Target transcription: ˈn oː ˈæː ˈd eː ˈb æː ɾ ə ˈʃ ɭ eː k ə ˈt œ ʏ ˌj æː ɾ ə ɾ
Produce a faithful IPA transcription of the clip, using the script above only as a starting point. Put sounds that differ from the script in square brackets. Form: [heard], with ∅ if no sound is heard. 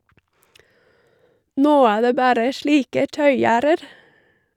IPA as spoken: ˈn oː ˈæː ˈd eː ˈb æː ɾ ə ˈʃ ɭ [iː] k ə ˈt œ ʏ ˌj æː ɾ ə ɾ